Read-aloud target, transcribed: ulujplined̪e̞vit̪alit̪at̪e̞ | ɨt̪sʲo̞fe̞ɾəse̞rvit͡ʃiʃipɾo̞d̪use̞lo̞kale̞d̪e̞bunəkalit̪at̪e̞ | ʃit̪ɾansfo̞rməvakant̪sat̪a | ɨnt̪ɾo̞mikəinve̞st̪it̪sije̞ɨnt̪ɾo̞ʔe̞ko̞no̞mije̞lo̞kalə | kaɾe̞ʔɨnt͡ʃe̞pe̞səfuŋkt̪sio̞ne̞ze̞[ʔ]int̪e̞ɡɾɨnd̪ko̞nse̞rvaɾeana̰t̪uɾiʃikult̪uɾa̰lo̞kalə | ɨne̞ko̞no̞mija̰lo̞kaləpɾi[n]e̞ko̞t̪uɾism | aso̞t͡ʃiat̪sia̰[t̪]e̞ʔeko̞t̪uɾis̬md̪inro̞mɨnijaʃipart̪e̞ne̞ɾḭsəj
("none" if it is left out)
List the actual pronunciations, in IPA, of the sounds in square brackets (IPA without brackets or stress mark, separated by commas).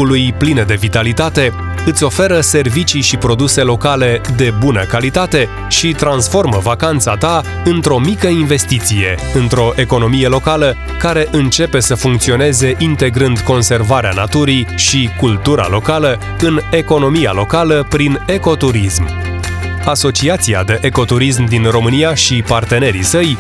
ʔ, n, d̪